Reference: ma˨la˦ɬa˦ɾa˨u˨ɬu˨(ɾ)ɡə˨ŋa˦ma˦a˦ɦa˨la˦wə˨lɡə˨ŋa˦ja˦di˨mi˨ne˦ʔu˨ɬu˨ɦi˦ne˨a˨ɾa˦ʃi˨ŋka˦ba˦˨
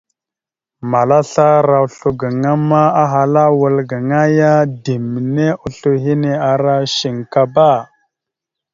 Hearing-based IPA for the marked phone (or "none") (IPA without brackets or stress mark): none